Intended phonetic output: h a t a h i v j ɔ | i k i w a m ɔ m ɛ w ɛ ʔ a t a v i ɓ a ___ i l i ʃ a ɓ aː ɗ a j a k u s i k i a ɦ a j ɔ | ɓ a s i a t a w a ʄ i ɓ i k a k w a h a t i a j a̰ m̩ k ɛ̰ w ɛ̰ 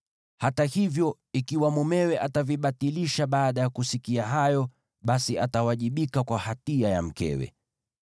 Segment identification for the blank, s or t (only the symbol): t